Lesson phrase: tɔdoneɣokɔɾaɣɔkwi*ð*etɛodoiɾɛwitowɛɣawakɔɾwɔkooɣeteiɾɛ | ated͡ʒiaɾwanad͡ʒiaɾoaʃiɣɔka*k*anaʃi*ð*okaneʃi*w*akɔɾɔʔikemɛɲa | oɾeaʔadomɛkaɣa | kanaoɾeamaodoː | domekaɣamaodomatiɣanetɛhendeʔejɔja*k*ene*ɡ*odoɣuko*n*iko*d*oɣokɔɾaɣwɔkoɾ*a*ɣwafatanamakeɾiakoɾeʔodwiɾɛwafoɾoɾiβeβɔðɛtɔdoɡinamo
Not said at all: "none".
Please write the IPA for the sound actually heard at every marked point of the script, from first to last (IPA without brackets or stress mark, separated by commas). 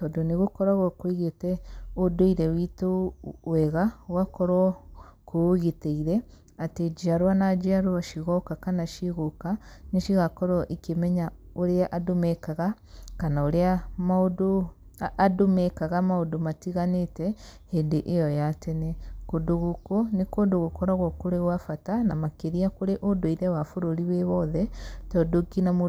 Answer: ɣ, k, ɣ, ɣ, t, k, n, d, e